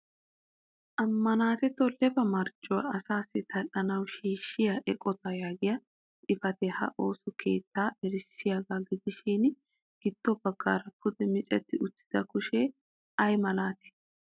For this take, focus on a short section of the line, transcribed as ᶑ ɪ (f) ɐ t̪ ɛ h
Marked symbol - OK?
yes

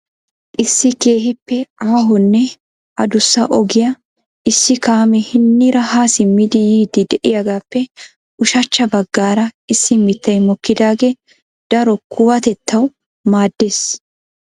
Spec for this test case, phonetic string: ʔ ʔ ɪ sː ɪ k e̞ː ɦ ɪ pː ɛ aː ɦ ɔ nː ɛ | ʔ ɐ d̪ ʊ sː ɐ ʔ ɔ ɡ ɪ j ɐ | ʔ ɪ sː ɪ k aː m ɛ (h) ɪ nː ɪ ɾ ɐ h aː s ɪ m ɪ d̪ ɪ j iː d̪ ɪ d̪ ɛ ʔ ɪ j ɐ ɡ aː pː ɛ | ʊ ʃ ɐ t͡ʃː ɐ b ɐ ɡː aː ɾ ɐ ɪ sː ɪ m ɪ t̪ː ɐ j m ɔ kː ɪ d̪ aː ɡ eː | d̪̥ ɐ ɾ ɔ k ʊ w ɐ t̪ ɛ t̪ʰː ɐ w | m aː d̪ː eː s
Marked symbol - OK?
yes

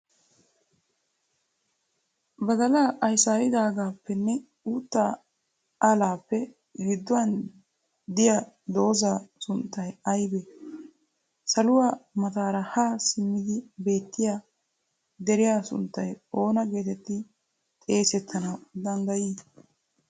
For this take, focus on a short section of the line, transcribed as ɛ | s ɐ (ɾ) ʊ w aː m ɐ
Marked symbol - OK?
no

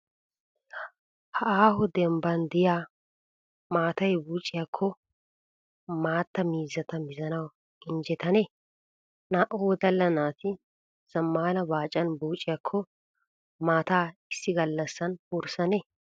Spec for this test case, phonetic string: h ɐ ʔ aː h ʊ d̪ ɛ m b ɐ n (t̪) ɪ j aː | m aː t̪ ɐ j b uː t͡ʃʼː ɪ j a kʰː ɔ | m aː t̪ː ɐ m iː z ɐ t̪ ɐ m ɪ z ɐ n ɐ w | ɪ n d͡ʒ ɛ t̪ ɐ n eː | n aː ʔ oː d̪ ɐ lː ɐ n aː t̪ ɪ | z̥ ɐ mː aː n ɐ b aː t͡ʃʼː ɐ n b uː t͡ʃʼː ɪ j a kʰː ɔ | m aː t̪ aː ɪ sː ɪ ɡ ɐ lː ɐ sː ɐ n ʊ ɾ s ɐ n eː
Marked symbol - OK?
no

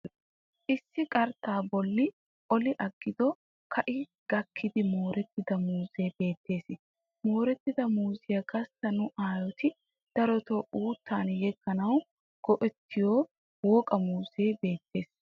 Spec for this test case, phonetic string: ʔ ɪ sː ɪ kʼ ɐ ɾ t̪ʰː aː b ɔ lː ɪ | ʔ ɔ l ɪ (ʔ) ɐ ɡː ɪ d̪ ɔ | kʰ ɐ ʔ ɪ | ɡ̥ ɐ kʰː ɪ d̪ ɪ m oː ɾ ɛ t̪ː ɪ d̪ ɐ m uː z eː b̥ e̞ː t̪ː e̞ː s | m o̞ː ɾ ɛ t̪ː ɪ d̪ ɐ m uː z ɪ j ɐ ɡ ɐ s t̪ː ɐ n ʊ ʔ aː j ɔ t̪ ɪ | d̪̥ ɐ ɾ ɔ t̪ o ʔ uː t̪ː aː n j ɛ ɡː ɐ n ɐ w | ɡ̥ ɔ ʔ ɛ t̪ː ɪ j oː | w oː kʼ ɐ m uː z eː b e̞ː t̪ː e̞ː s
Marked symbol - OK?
yes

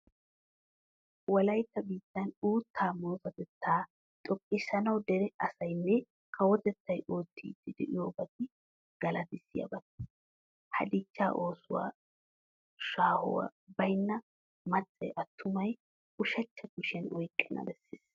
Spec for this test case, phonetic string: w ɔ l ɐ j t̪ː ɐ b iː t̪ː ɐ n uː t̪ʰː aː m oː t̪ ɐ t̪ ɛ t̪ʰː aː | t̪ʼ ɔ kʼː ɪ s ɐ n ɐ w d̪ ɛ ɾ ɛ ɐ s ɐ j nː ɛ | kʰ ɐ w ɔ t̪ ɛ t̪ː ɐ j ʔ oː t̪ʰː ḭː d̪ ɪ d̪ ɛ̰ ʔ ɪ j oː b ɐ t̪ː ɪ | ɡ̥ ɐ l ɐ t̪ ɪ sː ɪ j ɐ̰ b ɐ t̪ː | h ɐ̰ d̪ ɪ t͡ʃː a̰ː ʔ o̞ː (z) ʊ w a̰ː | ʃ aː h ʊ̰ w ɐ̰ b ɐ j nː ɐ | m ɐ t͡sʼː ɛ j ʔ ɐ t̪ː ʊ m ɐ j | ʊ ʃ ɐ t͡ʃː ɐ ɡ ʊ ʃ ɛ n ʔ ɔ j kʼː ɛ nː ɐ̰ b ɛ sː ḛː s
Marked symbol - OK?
no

